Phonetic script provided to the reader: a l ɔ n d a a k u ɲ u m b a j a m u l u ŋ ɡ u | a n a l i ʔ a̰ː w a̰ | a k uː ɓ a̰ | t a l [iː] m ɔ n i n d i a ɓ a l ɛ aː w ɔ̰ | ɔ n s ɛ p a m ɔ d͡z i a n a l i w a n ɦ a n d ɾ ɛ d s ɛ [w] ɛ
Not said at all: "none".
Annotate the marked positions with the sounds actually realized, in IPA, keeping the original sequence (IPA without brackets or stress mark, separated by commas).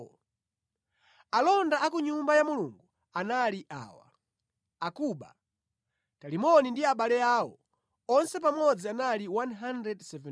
i, v